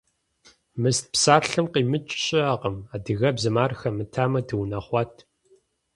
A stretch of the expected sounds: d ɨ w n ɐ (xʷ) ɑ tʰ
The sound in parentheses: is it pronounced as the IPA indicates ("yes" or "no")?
no